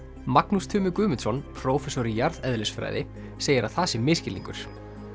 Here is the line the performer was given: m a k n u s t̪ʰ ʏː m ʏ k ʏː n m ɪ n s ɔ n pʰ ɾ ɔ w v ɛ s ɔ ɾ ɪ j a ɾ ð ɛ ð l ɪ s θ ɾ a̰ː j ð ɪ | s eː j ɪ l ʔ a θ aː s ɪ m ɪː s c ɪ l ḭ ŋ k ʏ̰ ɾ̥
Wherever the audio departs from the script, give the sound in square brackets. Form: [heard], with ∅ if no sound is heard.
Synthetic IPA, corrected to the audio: m a k n u s t̪ʰ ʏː m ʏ k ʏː [∅] m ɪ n s ɔ n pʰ ɾ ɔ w [f] ɛ s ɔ ɾ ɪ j a ɾ ð ɛ ð l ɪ s [f] ɾ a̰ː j ð ɪ | s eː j ɪ [ɾ] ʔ a θ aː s ɪ m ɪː s c ɪ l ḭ ŋ k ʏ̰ ɾ̥